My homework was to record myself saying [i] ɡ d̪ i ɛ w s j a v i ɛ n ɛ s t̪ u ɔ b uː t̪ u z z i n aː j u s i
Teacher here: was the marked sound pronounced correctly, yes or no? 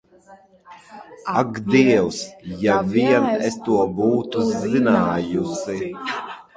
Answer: no